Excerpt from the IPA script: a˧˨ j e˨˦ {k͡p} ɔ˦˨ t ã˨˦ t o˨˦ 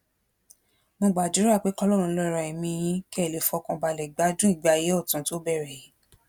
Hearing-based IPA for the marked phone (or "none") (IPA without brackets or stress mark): none